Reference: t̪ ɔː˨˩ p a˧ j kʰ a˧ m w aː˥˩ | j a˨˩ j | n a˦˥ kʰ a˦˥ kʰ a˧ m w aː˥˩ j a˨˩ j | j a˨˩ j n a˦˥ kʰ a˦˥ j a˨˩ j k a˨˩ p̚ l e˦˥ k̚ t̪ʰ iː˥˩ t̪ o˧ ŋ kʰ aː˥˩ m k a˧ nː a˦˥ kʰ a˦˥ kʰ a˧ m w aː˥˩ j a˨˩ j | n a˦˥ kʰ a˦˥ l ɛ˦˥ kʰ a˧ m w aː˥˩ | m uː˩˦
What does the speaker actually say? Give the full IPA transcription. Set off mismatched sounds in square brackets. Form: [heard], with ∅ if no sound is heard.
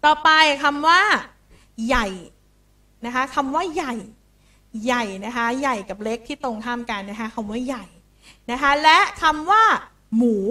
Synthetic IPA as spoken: t̪ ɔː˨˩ p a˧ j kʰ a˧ m w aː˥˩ | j a˨˩ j | n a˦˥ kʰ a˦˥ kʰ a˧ m w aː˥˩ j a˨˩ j | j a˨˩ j n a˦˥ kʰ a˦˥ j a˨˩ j k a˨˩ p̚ l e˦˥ k̚ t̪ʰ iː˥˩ t̪ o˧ ŋ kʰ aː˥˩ m k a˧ nː a˦˥ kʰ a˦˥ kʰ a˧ m w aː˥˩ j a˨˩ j | n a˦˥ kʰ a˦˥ l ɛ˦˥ kʰ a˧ m w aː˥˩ | m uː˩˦

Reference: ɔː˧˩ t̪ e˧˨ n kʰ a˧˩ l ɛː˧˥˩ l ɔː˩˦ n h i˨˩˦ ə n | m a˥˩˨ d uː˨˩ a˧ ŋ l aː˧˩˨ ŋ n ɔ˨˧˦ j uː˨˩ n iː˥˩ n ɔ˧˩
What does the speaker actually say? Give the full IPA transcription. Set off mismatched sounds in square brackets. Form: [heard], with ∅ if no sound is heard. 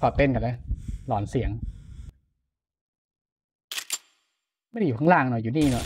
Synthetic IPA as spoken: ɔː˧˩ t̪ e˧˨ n [k] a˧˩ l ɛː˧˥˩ l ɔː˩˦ n [s] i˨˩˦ ə [ŋ] | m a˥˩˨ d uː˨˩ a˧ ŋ l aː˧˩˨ ŋ n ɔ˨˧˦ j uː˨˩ n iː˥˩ n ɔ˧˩

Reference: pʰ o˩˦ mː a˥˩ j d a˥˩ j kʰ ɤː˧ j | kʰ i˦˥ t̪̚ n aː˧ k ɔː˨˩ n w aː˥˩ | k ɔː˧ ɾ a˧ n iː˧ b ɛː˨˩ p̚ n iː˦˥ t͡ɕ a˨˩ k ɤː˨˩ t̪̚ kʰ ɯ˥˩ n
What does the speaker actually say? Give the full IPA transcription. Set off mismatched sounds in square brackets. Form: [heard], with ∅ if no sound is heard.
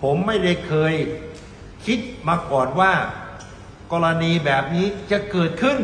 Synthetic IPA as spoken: pʰ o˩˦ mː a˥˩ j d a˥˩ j kʰ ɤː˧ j | kʰ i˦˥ t̪̚ [m] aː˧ k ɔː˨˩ n w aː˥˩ | k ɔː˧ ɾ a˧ n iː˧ b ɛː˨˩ p̚ n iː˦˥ t͡ɕ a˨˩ k ɤː˨˩ t̪̚ kʰ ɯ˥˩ n

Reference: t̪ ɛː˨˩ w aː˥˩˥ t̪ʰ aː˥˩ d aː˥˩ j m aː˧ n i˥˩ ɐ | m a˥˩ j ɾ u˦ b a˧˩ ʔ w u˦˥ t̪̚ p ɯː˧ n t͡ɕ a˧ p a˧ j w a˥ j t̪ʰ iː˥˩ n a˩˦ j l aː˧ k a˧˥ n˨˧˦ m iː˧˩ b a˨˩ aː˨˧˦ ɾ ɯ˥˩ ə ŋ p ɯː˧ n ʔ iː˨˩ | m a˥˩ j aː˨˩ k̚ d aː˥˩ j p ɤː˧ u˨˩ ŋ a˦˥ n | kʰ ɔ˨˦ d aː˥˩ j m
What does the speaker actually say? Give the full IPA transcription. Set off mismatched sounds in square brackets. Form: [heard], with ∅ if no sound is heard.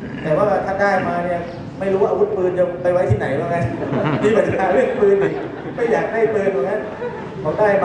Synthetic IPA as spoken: t̪ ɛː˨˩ w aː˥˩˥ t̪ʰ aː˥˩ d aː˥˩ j m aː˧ n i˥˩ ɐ | m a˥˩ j ɾ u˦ [w] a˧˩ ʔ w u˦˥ t̪̚ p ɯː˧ n t͡ɕ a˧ p a˧ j w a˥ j t̪ʰ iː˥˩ n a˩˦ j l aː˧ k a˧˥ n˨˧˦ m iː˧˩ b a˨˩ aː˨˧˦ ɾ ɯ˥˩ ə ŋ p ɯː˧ n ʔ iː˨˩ | m a˥˩ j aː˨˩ k̚ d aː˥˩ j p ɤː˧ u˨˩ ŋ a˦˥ n | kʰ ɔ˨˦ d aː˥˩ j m

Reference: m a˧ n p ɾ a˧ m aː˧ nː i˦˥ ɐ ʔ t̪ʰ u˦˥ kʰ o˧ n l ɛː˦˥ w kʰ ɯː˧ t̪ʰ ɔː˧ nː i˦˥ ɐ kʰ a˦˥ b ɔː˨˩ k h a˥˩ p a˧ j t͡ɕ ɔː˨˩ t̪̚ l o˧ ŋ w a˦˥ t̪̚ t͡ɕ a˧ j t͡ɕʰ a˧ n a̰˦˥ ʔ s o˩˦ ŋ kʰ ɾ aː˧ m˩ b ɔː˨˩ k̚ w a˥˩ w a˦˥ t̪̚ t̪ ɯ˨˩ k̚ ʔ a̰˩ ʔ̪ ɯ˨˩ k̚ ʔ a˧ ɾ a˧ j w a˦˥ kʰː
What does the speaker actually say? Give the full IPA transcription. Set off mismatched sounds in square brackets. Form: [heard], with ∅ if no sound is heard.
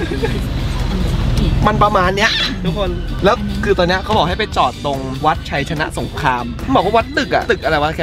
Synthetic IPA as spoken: m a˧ n p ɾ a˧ m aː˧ nː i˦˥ ɐ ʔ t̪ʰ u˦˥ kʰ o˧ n l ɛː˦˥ w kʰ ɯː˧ [t̪] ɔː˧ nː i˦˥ ɐ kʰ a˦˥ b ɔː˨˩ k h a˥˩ p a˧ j t͡ɕ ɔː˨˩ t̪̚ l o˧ ŋ w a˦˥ t̪̚ [t͡ɕʰ] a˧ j t͡ɕʰ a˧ n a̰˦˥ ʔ s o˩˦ ŋ kʰ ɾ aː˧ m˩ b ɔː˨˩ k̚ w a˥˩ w a˦˥ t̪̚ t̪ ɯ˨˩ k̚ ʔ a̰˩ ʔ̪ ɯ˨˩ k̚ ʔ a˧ ɾ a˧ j w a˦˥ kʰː

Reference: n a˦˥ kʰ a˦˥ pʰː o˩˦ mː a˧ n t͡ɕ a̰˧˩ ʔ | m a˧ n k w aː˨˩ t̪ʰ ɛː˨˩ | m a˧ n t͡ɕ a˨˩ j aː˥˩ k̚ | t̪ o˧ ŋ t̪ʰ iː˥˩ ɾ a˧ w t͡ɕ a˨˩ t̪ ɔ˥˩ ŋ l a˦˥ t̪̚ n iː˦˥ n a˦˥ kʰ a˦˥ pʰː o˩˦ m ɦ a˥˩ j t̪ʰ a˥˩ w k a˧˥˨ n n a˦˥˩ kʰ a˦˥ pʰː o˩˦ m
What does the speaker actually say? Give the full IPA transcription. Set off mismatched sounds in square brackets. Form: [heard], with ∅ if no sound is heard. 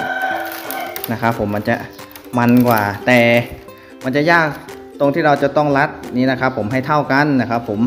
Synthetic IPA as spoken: n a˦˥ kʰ a˦˥ pʰː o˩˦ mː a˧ n t͡ɕ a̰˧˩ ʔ | m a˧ n k w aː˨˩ [t̪] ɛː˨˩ | m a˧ n t͡ɕ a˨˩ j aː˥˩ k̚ | t̪ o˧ ŋ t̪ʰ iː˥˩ ɾ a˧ w t͡ɕ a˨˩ t̪ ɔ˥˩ ŋ l a˦˥ t̪̚ n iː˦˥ n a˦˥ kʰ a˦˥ pʰː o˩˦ m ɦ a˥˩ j t̪ʰ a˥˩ w k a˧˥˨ n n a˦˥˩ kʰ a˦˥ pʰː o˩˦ m

